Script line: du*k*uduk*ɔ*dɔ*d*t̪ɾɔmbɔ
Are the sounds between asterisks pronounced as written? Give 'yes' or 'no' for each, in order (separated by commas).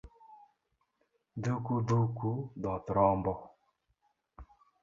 yes, no, no